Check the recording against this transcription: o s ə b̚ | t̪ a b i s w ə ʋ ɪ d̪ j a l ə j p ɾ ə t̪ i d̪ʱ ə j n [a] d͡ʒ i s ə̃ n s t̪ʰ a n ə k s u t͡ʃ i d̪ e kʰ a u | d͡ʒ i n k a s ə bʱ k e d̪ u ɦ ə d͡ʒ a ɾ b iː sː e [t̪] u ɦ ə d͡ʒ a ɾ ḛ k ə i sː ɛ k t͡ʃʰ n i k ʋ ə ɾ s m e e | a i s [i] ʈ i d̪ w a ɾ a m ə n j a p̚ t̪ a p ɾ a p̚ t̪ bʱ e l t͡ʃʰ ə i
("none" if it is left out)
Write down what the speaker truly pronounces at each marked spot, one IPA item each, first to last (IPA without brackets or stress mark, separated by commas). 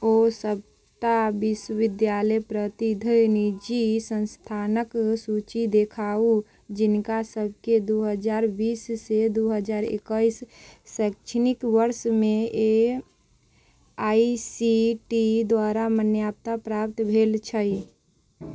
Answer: i, d̪, i